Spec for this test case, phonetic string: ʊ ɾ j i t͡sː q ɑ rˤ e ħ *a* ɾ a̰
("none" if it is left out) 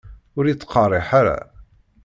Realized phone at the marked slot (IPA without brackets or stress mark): a